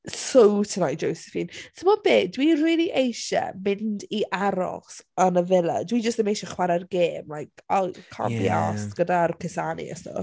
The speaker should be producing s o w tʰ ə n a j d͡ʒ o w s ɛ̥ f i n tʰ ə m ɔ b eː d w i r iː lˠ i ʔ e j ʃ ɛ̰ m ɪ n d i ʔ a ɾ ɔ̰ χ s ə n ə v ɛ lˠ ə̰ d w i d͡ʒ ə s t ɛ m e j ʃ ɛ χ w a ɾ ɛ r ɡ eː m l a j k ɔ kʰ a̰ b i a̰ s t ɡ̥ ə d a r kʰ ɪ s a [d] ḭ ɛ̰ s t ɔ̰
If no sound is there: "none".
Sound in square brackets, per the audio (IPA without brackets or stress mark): n